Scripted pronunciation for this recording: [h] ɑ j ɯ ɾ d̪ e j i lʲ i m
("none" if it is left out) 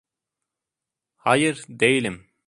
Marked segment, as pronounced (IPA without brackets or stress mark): h